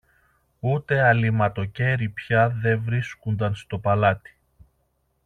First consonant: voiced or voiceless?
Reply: voiceless